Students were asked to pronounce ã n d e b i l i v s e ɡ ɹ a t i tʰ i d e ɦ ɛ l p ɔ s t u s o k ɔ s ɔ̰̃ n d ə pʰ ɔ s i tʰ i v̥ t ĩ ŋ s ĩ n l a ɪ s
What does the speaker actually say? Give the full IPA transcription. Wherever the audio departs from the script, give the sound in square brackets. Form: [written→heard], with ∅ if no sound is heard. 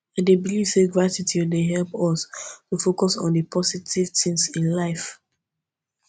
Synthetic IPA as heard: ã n d e b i l i v s e ɡ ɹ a t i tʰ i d e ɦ ɛ l p ɔ s t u [s→f] o k ɔ s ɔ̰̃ n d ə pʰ ɔ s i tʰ i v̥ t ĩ ŋ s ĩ n l a ɪ [s→f]